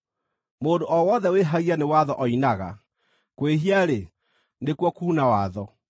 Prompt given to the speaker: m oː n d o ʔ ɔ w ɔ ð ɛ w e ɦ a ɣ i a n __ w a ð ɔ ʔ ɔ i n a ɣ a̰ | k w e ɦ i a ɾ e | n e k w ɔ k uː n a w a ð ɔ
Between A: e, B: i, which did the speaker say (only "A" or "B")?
A